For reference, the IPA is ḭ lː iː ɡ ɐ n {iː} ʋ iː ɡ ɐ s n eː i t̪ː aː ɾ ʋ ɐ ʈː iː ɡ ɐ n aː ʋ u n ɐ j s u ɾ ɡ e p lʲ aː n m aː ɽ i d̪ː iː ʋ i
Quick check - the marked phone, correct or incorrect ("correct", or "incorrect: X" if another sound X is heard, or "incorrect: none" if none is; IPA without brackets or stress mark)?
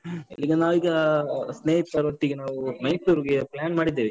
incorrect: aː